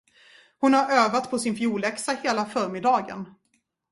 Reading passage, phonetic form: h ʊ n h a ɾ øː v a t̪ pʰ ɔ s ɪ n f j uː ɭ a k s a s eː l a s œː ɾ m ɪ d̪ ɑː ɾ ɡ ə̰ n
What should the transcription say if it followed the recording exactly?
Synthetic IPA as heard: h ʊ n h a ɾ øː v a t̪ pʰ ɔ s ɪ n f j uː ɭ ɛ k s a h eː l a f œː ɾ m ɪ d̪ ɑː ɡ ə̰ n